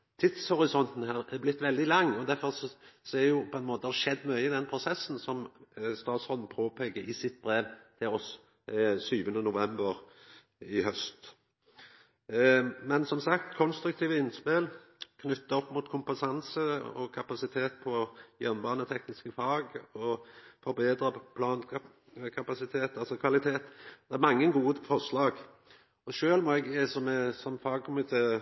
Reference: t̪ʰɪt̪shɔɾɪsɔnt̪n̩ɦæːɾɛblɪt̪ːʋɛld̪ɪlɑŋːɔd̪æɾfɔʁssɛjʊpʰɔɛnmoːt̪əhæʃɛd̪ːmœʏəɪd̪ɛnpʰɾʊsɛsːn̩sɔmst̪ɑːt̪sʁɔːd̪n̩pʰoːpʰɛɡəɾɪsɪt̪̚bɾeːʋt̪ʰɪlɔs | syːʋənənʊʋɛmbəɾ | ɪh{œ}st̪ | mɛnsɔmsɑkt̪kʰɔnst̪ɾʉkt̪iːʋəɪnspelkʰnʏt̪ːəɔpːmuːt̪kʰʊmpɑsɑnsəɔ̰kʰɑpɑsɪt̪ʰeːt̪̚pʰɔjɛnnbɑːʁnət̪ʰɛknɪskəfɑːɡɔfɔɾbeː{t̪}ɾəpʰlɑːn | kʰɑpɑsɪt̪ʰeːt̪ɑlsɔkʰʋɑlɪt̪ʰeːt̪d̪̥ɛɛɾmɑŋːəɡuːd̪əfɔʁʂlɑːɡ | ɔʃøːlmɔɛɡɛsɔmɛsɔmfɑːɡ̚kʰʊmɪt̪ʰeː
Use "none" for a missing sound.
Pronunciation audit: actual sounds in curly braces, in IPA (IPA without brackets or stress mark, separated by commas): œ, d̪